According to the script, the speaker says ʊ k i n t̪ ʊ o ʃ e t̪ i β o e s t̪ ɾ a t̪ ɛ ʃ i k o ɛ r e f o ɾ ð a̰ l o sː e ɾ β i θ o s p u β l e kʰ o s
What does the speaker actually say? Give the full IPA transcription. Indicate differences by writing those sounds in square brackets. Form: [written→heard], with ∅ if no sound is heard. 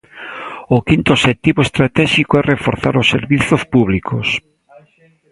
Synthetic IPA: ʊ k i n t̪ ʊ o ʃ e t̪ i β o e s t̪ ɾ a t̪ ɛ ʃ i k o ɛ r e f o ɾ [ð→θ] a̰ [l→ɾ] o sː e ɾ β i θ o s p u β l [e→i] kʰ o s